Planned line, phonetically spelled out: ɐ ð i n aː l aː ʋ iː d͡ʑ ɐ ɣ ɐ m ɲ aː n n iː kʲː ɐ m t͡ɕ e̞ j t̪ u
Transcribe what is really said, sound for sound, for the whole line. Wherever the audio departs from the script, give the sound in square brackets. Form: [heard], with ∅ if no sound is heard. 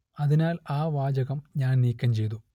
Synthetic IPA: ɐ ð i n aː l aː ʋ [aː] d͡ʑ ɐ ɣ ɐ m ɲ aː n n iː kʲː ɐ m t͡ɕ e̞ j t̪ u